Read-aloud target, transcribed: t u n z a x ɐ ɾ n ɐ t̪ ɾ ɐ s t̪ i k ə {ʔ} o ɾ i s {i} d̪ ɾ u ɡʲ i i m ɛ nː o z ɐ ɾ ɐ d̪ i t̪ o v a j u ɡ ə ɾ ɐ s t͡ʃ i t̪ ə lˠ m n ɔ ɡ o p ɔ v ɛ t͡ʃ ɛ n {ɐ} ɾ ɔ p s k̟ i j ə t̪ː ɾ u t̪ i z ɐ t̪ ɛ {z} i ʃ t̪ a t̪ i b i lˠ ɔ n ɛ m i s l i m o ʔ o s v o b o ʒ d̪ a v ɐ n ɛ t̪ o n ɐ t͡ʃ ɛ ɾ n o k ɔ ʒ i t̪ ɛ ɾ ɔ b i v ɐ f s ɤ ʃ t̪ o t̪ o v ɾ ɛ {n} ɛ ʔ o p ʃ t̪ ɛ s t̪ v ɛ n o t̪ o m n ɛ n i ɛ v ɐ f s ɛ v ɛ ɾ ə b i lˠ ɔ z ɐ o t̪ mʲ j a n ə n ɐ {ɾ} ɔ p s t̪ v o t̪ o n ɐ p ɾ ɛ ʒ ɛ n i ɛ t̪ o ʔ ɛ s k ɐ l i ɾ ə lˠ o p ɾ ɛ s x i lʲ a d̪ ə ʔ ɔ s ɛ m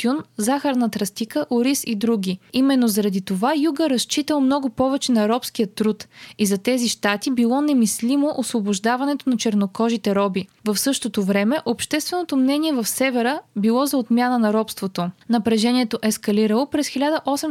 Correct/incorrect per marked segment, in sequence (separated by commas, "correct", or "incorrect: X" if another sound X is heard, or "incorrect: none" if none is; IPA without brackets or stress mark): correct, correct, correct, correct, incorrect: m, correct